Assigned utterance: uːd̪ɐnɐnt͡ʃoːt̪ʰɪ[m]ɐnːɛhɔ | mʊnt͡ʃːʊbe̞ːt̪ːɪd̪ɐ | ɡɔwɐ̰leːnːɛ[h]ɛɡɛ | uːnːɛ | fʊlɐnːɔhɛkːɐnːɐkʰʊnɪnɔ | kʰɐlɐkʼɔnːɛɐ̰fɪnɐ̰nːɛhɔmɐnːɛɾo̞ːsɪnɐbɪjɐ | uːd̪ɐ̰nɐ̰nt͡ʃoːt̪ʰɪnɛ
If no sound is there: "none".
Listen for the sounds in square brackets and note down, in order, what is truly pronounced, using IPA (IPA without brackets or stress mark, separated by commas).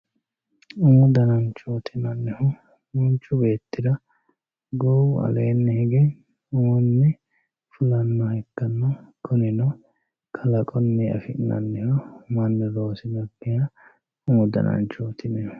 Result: n, h